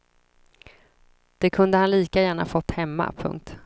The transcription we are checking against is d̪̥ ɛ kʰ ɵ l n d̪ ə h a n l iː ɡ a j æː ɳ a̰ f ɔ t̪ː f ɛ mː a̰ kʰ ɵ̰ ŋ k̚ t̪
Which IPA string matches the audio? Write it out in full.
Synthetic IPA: d̪̥ ɛ kʰ ɵ n d̪ ə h a n l iː k a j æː ɳ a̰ f ɔ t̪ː h ɛ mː a̰ pʰ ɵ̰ ŋ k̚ t̪